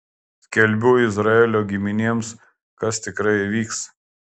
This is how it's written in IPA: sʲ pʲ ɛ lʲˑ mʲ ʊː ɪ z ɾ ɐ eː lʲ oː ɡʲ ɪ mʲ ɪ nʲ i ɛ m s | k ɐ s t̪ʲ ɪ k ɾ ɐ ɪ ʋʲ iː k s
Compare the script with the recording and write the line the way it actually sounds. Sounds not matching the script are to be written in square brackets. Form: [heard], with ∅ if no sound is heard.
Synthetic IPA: sʲ [kʲ] ɛ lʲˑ [bʲ] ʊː ɪ z ɾ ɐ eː lʲ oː ɡʲ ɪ mʲ ɪ nʲ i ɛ m s | k ɐ s t̪ʲ ɪ k ɾ ɐ ɪ ʋʲ iː k s